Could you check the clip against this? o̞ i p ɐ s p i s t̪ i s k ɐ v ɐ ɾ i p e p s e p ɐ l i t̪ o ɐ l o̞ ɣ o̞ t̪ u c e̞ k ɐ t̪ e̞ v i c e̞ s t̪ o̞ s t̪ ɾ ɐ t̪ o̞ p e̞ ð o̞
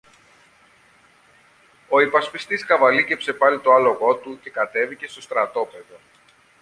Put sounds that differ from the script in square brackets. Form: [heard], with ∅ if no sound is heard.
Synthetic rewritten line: o̞ i p ɐ s p i s t̪ i s k ɐ v ɐ [l] i [c] e p s e p ɐ l i t̪ o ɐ l o̞ ɣ o̞ t̪ u c e̞ k ɐ t̪ e̞ v i c e̞ s t̪ o̞ s t̪ ɾ ɐ t̪ o̞ p e̞ ð o̞

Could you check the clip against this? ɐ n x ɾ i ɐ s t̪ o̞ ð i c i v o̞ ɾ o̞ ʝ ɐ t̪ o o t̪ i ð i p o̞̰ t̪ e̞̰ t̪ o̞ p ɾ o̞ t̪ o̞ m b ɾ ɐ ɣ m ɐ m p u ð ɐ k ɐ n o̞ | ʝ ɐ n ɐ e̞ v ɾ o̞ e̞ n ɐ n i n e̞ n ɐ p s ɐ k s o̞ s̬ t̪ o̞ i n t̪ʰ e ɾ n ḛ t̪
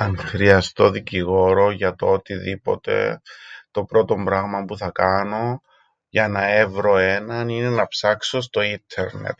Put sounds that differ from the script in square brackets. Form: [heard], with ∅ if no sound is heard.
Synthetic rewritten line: ɐ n x ɾ i ɐ s t̪ o̞ ð i c i [ɣ] o̞ ɾ o̞ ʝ ɐ t̪ o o t̪ i ð i p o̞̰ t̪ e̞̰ t̪ o̞ p ɾ o̞ t̪ o̞ m b ɾ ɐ ɣ m ɐ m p u [θ] ɐ k ɐ n o̞ | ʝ ɐ n ɐ e̞ v ɾ o̞ e̞ n ɐ n i n e̞ n ɐ p s ɐ k s o̞ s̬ t̪ o̞ i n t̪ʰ e ɾ n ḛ t̪

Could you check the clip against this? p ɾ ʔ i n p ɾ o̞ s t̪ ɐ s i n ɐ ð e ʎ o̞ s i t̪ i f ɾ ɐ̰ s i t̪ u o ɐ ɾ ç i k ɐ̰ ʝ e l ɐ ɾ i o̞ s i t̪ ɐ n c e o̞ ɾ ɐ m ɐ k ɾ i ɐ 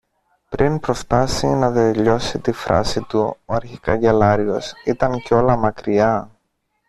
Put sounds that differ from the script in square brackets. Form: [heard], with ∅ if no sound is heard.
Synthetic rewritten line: p ɾ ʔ i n p ɾ o̞ s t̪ ɐ s i n ɐ ð e ʎ o̞ s i t̪ i f ɾ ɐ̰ s i t̪ u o ɐ ɾ ç i k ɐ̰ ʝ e l ɐ ɾ i o̞ s i t̪ ɐ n c e o̞ [l] ɐ m ɐ k ɾ i ɐ

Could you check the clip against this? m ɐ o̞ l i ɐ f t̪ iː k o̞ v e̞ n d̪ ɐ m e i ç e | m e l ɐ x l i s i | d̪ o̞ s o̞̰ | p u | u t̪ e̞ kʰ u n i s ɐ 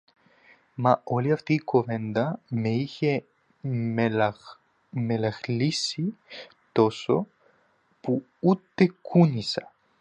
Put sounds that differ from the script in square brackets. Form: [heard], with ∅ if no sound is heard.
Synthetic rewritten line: m ɐ o̞ l i ɐ f t̪ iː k o̞ v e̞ n d̪ ɐ m e i ç e | m e l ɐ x l i s i | [t̪] o̞ s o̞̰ | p u | u t̪ e̞ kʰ u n i s ɐ

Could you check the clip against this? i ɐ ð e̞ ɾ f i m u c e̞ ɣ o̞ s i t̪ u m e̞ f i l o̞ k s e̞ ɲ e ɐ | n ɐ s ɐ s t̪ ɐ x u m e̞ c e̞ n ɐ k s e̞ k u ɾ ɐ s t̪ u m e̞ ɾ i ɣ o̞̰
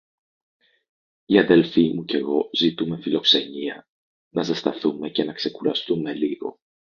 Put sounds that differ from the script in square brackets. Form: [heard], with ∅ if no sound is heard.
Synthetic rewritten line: i ɐ ð e̞ [l] f i m u c e̞ ɣ o̞ [z] i t̪ u m e̞ f i l o̞ k s e̞ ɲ [i] ɐ | n ɐ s ɐ s t̪ ɐ [θ] u m e̞ c e̞ n ɐ k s e̞ k u ɾ ɐ s t̪ u m e̞ [l] i ɣ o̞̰

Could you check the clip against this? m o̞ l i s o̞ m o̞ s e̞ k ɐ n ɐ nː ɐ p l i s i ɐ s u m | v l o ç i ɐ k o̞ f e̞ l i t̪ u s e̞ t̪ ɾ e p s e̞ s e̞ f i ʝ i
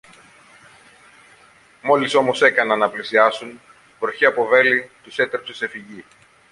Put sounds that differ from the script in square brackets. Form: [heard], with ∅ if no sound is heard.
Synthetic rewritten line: m o̞ l i s o̞ m o̞ s e̞ k ɐ n ɐ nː ɐ p l i s i ɐ s u [n] | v [ɾ] o ç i ɐ [p] o̞ [v] e̞ l i t̪ u s e̞ t̪ ɾ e p s e̞ s e̞ f i ʝ i

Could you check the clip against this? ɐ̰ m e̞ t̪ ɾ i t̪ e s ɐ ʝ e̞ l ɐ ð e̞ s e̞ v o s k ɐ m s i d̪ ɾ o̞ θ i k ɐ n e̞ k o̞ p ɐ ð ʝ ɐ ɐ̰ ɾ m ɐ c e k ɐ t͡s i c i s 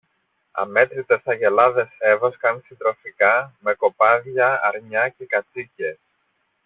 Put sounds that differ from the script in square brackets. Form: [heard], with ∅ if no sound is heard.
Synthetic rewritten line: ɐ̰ m e̞ t̪ ɾ i t̪ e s ɐ ʝ e̞ l ɐ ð e̞ s e̞ v o s k ɐ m s i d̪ ɾ o̞ [f] i k ɐ [m] e̞ k o̞ p ɐ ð ʝ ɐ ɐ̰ ɾ [ɲ] ɐ c e k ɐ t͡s i c [e] s

